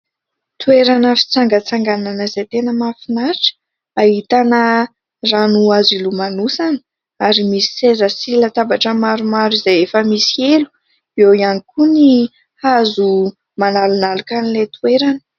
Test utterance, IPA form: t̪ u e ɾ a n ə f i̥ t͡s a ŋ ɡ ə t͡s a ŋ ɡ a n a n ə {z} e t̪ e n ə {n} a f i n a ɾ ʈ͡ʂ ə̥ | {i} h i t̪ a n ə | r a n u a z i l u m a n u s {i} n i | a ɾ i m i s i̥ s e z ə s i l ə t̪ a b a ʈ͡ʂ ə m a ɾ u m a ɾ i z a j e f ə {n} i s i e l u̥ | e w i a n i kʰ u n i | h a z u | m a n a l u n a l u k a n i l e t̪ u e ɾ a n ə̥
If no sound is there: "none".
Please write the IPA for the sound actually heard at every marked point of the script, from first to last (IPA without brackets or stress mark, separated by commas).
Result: z, m, a, a, m